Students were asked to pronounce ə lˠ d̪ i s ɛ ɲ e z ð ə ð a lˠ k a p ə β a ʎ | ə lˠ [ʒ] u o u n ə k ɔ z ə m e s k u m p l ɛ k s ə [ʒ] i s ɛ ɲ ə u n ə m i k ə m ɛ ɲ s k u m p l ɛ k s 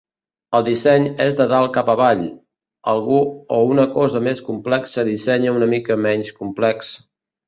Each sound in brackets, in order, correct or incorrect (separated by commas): incorrect, incorrect